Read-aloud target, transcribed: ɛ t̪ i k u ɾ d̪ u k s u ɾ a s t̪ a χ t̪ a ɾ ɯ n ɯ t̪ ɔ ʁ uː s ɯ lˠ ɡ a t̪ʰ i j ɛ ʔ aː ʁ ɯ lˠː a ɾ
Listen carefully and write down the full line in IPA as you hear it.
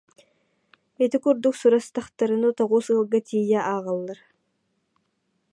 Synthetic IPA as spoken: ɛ t̪ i k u ɾ d̪ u k s u ɾ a s t̪ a χ t̪ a ɾ ɯ n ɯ t̪ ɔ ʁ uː s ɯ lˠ ɡ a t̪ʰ i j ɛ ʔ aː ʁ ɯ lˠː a ɾ